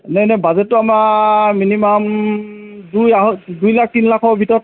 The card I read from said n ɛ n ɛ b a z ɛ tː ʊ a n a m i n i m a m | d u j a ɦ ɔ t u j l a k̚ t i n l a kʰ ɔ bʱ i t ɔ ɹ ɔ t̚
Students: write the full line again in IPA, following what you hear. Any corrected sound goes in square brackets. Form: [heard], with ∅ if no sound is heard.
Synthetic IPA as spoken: n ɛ n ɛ b a z ɛ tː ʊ a [m] a m i n i m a m | d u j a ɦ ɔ [d] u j l a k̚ t i n l a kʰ ɔ bʱ i t ɔ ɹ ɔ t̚